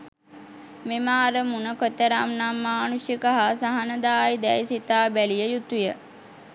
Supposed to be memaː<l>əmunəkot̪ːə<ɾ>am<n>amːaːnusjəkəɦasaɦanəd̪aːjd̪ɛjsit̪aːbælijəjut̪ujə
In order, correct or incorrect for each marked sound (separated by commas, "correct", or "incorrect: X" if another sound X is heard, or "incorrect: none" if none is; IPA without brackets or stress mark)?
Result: incorrect: ɾ, correct, correct